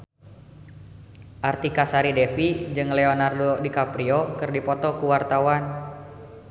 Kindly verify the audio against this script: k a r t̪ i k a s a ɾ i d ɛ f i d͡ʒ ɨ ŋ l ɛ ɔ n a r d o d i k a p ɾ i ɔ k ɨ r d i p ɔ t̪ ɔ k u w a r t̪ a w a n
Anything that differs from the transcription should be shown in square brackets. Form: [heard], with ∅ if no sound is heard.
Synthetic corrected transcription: [ʔ] a r t̪ i k a s a ɾ i d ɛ f i d͡ʒ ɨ ŋ l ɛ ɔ n a r d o d i k a p ɾ i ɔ k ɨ r d i p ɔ t̪ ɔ k u w a r t̪ a w a n